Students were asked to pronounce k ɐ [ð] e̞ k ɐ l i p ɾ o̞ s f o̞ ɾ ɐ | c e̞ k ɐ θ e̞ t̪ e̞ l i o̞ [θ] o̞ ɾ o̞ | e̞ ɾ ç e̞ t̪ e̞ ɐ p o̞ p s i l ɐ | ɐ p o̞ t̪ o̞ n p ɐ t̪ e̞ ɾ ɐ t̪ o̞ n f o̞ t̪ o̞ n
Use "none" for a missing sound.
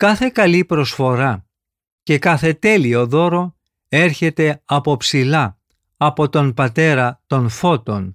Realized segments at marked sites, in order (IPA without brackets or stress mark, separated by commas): θ, ð